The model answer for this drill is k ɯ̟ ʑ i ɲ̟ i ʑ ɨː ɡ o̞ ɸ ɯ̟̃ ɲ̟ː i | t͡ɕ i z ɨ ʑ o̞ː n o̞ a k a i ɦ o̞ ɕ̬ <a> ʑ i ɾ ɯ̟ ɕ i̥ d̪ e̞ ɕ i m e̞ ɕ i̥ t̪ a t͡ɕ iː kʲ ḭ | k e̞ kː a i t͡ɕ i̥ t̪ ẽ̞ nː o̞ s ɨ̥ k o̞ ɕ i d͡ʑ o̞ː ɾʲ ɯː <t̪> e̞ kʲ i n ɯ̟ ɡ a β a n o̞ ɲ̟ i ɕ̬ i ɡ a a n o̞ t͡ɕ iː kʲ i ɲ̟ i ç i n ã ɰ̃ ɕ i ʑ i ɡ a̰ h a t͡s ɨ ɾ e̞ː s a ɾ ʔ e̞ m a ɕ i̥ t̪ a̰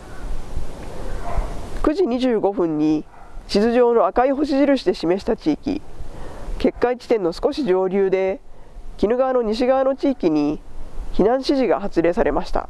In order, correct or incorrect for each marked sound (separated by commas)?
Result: incorrect, incorrect